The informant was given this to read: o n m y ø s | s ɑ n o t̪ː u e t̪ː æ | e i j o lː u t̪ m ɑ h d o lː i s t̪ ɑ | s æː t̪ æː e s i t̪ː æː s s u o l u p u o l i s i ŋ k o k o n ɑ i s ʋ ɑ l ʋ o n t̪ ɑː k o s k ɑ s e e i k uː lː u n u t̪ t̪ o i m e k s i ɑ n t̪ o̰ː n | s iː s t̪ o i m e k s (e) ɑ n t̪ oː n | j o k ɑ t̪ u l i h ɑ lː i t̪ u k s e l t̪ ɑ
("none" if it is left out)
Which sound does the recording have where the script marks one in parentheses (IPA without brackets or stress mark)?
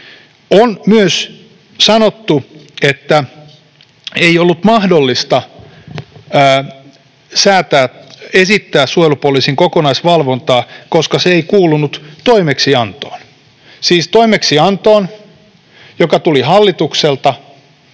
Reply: i